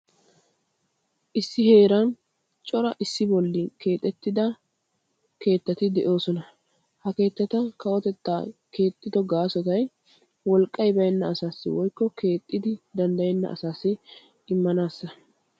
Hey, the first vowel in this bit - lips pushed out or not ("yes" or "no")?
no